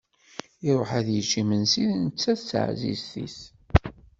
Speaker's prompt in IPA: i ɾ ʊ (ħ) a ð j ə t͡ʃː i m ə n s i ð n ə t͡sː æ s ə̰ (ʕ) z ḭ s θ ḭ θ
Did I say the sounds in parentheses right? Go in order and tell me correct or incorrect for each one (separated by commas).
correct, correct